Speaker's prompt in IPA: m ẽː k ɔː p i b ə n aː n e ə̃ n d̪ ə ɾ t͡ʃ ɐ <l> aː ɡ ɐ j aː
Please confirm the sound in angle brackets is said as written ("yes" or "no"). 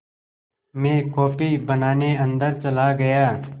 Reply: yes